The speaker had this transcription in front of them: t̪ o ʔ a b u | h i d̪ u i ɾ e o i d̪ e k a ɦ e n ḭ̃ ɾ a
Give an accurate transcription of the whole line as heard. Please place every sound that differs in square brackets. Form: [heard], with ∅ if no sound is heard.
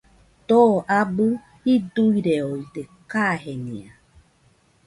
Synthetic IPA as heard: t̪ o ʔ a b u | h i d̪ u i ɾ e o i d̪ e k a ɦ e n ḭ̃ [∅] a